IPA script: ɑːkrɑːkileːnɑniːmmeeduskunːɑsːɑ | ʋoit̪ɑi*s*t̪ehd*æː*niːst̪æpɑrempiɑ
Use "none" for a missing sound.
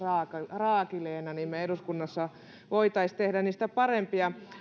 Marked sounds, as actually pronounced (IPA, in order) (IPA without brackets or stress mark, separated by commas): s, æ